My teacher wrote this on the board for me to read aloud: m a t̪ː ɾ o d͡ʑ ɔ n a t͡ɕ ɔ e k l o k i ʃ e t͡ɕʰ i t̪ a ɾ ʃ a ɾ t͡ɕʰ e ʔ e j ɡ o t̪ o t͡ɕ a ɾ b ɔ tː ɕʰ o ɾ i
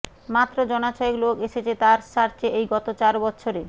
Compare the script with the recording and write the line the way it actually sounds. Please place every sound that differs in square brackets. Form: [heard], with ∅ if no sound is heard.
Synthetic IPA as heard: m a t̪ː ɾ o d͡ʑ ɔ n a t͡ɕ ɔ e k l o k [e] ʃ e t͡ɕʰ [e] t̪ a ɾ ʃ a ɾ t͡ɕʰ e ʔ e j ɡ [ɔ] t̪ o t͡ɕ a ɾ b ɔ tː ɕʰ o ɾ [e]